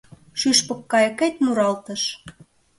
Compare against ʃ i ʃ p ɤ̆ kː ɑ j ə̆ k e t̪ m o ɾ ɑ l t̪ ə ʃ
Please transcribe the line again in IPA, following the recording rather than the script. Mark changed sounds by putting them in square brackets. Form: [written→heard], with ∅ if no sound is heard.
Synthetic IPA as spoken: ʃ [i→y] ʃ p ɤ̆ kː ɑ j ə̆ k e t̪ m [o→u] ɾ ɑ l t̪ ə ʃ